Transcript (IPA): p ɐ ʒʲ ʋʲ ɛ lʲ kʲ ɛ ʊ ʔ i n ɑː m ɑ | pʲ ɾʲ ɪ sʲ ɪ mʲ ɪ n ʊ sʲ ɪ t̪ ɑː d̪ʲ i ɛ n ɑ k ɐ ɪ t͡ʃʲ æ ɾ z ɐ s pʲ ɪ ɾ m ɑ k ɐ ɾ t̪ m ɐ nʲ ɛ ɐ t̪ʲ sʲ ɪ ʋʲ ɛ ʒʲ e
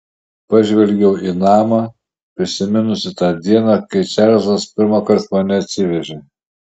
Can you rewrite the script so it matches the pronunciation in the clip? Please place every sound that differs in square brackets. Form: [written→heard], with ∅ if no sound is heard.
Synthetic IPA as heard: p ɐ ʒʲ ʋʲ ɛ lʲ [kʲ→ɡʲ] ɛ ʊ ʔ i n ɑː m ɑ | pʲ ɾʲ ɪ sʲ ɪ mʲ ɪ n ʊ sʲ ɪ t̪ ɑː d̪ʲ i ɛ n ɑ k ɐ ɪ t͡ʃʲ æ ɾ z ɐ s pʲ ɪ ɾ m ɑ k ɐ ɾ t̪ m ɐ nʲ ɛ ɐ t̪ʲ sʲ ɪ ʋʲ ɛ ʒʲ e